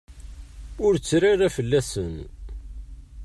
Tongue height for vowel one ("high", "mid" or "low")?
high